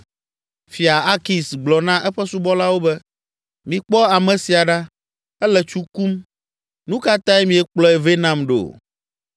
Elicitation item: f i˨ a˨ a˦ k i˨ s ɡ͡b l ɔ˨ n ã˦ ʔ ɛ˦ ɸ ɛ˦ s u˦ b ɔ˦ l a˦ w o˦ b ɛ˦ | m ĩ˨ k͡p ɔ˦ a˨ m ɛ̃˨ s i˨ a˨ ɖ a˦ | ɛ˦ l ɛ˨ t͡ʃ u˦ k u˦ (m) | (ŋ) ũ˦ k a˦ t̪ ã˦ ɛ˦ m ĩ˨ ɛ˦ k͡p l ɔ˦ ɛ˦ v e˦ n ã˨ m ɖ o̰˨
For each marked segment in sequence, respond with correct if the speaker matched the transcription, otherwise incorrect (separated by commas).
correct, incorrect